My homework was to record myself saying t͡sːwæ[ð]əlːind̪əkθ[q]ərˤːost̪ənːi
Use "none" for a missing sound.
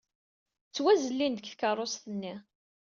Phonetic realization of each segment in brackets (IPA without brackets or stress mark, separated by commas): z, k